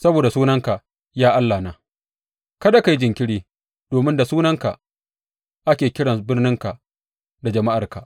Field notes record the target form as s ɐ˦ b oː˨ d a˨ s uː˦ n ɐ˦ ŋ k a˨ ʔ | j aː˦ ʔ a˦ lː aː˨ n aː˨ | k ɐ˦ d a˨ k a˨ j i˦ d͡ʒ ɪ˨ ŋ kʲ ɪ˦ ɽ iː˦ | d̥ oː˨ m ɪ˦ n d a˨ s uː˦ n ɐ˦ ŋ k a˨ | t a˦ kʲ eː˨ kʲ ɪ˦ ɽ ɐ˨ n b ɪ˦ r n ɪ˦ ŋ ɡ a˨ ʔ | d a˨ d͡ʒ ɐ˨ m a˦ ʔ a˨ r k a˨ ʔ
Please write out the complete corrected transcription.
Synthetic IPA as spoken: s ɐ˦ b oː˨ d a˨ s uː˦ n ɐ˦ ŋ k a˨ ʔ | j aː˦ ʔ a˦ lː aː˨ n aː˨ | k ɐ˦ d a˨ k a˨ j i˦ d͡ʒ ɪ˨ ŋ kʲ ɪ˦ ɽ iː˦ | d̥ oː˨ m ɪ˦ n d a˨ s uː˦ n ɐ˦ ŋ k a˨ | ʔ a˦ kʲ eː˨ kʲ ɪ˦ ɽ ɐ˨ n b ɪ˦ r n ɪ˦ ŋ k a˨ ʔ | d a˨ d͡ʒ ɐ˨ m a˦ ʔ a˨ r k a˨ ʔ

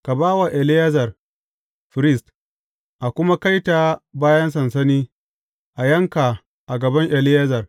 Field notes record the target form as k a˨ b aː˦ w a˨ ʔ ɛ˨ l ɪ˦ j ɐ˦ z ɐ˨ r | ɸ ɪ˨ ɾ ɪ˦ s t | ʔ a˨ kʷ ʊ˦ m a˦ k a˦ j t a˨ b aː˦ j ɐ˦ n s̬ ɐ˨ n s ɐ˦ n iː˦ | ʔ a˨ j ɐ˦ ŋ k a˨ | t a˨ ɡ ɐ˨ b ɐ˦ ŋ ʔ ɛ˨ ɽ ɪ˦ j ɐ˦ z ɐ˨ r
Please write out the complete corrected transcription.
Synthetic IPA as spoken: k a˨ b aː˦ w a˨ ʔ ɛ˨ l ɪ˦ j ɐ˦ z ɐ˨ r | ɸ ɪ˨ ɾ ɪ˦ s t | ʔ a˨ kʷ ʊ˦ m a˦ k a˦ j t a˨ b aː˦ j ɐ˦ n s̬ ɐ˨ n s ɐ˦ n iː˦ | ʔ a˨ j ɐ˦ ŋ k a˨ | ʔ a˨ ɡ ɐ˨ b ɐ˦ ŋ ʔ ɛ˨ l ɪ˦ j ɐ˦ z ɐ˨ r

